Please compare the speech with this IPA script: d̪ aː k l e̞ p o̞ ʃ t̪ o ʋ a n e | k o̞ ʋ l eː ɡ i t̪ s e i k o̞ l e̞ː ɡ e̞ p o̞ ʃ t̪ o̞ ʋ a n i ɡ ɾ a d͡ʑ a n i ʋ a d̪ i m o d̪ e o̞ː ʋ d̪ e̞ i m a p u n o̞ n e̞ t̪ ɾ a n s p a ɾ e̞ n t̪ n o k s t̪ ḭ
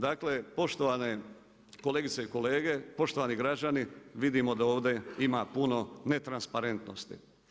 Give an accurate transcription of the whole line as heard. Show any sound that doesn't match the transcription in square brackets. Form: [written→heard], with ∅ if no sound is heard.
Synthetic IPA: d̪ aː k l e̞ p o̞ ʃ t̪ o ʋ a n e | k o̞ [ʋ→∅] l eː ɡ i t̪ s e i k o̞ l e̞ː ɡ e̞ p o̞ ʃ t̪ o̞ ʋ a n i ɡ ɾ a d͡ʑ a n i ʋ [a→i] d̪ i m o d̪ [e→a] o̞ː ʋ d̪ e̞ i m a p u n o̞ n e̞ t̪ ɾ a n s p a ɾ e̞ n t̪ n o [k→∅] s t̪ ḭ